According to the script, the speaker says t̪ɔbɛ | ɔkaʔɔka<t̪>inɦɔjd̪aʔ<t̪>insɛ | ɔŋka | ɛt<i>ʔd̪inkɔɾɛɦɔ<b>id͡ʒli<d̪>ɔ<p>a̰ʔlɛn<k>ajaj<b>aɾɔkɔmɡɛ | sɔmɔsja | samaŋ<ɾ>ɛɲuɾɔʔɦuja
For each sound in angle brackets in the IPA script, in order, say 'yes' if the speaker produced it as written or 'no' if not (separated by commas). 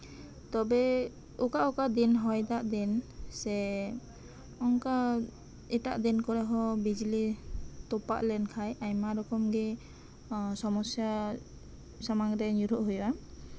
no, no, no, yes, no, yes, no, no, yes